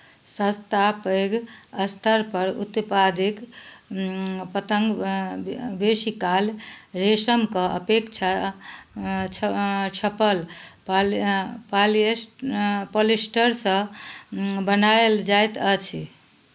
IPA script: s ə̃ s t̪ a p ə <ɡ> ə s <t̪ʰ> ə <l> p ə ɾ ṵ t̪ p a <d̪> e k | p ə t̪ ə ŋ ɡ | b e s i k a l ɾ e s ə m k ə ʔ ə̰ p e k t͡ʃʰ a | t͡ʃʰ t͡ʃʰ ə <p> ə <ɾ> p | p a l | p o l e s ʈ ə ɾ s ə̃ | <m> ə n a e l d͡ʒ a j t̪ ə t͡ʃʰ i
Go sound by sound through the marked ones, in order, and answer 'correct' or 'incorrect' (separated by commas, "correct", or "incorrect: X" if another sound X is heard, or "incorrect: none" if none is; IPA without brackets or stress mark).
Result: correct, correct, incorrect: ɾ, correct, correct, incorrect: l, incorrect: b